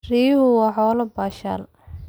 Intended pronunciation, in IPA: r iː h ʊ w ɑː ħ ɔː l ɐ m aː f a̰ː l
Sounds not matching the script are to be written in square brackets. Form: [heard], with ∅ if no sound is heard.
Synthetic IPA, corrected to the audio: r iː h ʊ w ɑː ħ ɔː l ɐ [b] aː [ʃ] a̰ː l